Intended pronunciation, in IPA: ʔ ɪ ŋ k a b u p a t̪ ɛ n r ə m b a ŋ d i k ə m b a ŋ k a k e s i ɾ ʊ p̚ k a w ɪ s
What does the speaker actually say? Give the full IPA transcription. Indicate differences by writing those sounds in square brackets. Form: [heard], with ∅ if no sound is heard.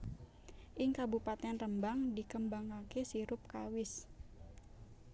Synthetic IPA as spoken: ʔ ɪ ŋ k a b u p a t̪ ɛ n r ə m b a ŋ d i k ə m b a ŋ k a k e s i ɾ ʊ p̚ k a w ɪ s